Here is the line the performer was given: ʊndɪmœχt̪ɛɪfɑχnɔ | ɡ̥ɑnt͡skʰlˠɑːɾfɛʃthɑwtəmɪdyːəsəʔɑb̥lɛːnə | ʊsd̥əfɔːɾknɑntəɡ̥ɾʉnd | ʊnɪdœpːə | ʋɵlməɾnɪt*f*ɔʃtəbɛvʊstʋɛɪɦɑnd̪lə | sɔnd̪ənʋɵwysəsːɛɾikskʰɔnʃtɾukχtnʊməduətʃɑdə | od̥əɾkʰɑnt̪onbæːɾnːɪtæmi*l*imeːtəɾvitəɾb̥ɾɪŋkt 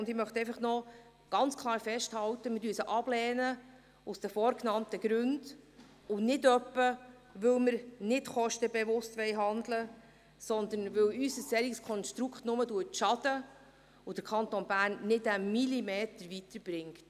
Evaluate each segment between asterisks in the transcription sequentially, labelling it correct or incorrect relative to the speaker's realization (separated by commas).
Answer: incorrect, correct